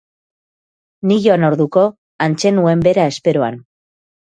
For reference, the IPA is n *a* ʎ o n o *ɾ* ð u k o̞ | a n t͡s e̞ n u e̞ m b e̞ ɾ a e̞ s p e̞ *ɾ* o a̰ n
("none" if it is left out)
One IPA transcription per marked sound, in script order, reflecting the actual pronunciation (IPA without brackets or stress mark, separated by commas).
i, ɾ, ɾ